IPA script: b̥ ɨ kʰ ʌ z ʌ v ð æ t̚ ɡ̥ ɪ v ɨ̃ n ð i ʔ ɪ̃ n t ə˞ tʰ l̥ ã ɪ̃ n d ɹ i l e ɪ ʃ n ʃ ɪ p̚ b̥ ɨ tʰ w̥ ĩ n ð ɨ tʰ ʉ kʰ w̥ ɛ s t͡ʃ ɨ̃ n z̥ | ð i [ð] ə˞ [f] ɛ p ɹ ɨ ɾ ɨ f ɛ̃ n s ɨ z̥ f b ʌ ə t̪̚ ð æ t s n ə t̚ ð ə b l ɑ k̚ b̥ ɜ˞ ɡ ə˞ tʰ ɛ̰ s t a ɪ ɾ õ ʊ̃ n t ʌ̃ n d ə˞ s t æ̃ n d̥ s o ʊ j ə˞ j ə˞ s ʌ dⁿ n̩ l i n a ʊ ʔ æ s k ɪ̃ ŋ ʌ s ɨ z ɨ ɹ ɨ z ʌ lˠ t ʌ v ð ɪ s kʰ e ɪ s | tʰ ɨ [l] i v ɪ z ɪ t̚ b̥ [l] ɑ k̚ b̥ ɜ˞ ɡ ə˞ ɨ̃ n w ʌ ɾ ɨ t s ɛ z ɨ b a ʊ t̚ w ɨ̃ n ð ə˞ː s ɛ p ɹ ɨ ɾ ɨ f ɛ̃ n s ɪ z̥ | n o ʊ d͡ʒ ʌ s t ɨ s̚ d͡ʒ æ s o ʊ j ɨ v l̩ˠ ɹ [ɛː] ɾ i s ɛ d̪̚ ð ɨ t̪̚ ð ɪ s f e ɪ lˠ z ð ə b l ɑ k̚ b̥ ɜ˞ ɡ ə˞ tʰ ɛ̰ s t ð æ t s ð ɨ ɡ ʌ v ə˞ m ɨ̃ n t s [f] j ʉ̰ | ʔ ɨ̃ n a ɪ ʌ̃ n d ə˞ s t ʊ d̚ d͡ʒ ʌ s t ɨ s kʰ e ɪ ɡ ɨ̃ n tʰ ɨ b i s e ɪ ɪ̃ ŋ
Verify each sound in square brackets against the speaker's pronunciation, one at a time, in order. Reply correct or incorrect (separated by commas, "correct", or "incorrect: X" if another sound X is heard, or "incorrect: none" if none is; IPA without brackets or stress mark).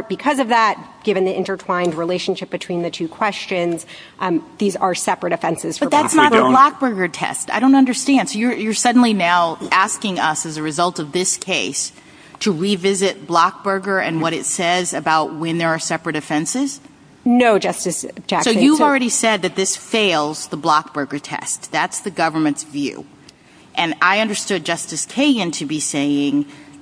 incorrect: z, incorrect: s, incorrect: ɹ, correct, incorrect: ɛ, incorrect: v